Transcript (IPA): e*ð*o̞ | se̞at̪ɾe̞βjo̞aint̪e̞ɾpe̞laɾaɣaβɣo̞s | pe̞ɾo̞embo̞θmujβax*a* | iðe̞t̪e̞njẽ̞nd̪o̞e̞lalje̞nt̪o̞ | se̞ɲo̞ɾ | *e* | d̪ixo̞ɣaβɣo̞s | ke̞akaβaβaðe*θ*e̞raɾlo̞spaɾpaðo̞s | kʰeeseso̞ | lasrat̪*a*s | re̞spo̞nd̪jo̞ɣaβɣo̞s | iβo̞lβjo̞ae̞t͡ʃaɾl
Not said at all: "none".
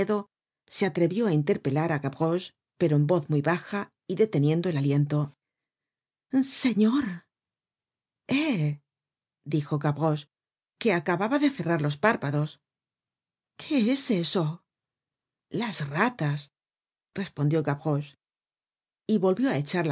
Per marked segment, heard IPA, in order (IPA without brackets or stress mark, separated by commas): ð, a, e, θ, a